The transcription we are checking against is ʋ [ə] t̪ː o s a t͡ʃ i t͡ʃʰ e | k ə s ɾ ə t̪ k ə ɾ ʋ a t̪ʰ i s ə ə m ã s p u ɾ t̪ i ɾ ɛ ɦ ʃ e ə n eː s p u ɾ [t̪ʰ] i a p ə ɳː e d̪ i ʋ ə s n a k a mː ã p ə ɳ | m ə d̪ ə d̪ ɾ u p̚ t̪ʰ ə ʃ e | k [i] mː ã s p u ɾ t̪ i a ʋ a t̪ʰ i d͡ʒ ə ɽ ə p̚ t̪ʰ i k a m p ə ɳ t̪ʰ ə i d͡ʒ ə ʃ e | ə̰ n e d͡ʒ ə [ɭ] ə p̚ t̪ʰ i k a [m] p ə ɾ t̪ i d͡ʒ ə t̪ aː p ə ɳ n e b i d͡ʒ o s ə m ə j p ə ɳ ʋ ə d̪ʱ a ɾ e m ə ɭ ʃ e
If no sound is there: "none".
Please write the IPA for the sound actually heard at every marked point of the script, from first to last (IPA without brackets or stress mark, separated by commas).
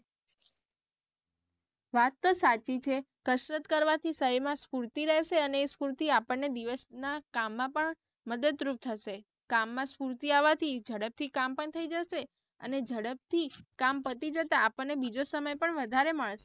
a, t̪, a, ɽ, m